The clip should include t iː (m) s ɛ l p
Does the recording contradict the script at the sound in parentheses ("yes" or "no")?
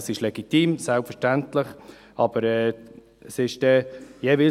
no